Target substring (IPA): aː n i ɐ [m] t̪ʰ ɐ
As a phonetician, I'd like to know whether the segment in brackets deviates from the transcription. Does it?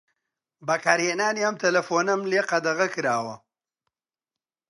no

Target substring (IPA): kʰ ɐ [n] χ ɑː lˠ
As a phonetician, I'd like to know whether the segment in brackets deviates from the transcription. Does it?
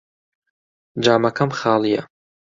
yes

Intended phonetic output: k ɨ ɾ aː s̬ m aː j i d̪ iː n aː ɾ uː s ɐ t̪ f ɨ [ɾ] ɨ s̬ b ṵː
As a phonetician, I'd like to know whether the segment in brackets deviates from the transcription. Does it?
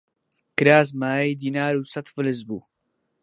yes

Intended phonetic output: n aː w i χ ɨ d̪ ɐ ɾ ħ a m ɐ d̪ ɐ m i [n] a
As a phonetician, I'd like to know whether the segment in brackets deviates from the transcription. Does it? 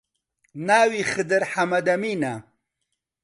no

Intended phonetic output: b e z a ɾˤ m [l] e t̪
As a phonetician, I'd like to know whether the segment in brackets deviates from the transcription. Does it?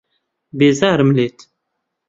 no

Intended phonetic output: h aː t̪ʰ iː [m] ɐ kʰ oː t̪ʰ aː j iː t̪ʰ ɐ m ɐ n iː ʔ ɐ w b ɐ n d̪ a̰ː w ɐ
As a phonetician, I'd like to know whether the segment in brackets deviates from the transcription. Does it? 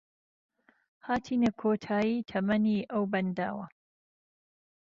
yes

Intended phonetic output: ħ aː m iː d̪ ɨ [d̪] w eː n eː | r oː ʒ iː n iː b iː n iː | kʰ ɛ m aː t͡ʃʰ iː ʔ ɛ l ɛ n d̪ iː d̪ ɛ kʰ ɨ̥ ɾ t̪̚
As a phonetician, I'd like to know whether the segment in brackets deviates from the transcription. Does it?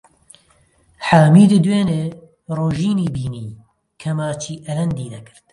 no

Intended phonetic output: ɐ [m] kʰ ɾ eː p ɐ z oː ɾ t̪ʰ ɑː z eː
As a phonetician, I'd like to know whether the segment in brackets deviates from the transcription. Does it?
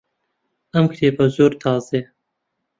no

